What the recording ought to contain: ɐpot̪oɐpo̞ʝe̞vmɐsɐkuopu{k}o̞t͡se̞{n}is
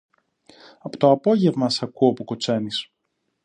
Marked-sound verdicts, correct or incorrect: correct, correct

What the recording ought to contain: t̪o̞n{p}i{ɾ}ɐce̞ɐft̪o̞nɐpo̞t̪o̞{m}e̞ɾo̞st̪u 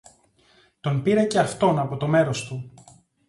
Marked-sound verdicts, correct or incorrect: correct, correct, correct

